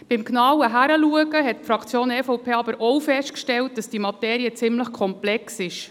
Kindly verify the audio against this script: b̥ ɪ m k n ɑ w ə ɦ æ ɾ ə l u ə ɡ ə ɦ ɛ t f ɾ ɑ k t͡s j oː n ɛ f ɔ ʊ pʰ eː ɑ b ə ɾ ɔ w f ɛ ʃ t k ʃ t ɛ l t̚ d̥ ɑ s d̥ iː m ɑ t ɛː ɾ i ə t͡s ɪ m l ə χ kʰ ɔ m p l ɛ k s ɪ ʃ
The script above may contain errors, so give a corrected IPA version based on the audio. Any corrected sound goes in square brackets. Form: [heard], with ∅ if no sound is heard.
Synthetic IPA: b̥ ɪ m k n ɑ w ə ɦ æ ɾ ə l u ə ɡ ə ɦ ɛ t f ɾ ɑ k t͡s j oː n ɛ f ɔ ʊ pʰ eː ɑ b ə ɾ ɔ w f ɛ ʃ t k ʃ t ɛ l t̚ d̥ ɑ s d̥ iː m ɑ t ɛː ɾ i ə t͡s ɪ m l ə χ kʰ ɔ m p l ɛ k s ɪ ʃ